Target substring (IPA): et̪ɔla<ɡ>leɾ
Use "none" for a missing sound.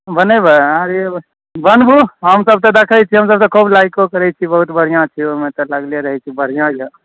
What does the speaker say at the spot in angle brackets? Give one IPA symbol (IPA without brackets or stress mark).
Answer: ɡ